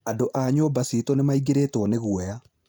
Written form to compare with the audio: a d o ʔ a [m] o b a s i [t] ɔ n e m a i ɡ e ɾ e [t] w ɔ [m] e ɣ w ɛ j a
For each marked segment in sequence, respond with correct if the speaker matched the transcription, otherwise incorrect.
incorrect, correct, correct, incorrect

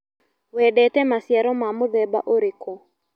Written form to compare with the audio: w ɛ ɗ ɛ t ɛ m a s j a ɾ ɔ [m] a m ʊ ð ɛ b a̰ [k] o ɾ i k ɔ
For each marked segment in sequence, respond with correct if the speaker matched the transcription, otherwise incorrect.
correct, incorrect

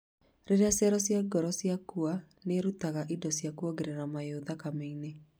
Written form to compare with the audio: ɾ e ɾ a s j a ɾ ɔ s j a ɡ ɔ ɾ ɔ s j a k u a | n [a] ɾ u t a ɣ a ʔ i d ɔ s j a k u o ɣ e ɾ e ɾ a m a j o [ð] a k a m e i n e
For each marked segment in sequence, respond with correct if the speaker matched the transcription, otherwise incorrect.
incorrect, correct

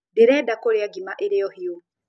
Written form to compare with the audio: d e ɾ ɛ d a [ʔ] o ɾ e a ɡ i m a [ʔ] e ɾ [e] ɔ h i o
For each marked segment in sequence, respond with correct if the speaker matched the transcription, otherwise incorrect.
incorrect, correct, correct

